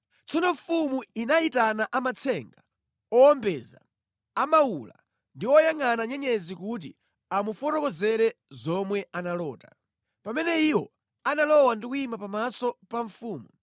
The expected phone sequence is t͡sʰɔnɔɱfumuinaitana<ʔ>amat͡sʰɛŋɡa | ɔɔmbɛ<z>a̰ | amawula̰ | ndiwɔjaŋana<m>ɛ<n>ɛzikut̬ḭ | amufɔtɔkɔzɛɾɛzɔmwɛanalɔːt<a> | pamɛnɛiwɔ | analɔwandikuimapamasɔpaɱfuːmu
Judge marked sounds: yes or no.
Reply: yes, yes, no, no, yes

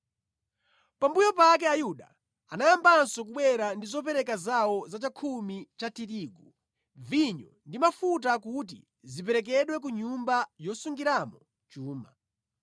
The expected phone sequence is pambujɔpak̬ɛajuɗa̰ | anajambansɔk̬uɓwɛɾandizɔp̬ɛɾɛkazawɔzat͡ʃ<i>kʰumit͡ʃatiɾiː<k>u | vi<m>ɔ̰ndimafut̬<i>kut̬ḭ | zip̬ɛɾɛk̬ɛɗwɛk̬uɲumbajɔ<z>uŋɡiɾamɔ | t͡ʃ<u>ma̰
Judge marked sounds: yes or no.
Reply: no, no, no, no, no, no

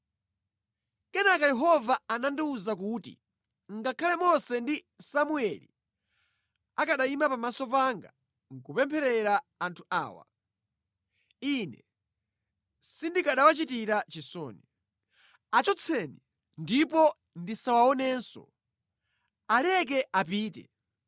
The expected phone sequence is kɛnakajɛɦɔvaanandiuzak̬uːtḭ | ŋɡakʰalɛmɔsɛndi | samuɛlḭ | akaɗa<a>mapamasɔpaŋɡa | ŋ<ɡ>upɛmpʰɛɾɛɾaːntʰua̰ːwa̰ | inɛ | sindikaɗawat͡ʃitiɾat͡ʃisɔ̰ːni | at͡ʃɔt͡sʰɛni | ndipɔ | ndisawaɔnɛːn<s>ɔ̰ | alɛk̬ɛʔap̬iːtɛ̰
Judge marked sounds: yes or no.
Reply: no, no, yes

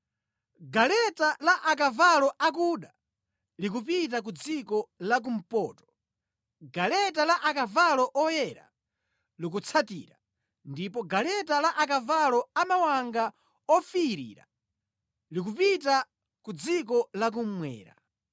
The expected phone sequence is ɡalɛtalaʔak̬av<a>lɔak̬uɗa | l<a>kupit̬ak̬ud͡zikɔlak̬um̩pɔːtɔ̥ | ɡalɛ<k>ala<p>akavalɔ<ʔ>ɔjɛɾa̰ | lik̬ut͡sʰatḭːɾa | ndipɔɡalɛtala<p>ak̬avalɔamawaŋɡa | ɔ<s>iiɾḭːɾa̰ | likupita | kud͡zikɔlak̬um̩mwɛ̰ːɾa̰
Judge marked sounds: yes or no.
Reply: yes, no, no, no, yes, no, no

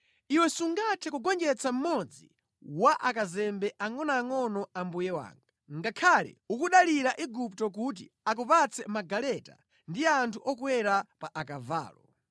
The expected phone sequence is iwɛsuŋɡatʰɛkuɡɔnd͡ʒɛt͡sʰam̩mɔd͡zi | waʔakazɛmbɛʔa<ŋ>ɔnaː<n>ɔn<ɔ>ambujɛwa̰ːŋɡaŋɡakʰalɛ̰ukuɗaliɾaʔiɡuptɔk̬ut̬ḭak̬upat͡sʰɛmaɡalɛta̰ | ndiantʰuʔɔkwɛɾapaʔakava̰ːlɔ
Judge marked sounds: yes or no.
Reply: yes, no, yes

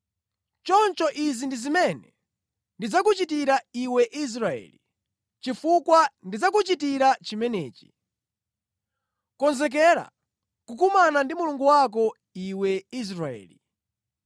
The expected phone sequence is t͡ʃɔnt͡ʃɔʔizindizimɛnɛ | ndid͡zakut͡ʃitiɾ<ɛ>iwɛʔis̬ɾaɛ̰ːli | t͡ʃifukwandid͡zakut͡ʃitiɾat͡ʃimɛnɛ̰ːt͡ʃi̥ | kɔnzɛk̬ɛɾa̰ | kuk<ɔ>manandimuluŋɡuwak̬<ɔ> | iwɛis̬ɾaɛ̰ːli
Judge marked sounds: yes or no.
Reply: no, no, yes

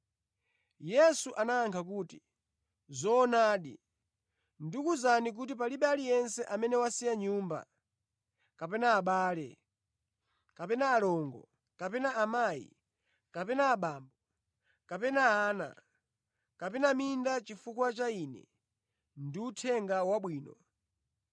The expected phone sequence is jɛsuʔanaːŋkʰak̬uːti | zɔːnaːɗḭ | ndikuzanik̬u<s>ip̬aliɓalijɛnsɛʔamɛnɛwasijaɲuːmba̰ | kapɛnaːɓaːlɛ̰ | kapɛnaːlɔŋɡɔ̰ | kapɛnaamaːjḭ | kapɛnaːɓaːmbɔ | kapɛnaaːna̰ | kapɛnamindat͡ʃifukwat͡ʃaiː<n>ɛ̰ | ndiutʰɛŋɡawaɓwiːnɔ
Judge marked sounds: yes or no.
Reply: no, yes

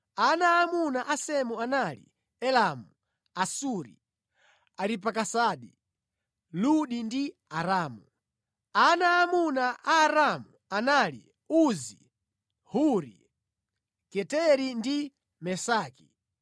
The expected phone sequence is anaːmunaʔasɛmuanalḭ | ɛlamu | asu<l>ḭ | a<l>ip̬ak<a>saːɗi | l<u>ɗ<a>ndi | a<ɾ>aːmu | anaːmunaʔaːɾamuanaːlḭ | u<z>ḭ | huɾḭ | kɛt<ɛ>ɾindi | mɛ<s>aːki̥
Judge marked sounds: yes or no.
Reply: no, no, yes, yes, no, yes, yes, yes, yes

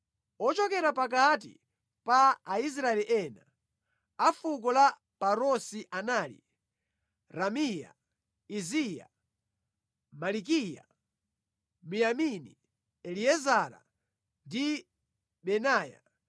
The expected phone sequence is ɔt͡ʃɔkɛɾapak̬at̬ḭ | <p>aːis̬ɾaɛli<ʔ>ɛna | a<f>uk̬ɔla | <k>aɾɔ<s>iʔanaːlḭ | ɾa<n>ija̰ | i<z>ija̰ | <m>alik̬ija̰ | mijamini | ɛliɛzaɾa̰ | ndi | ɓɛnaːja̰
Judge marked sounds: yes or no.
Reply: yes, yes, yes, no, yes, no, yes, yes

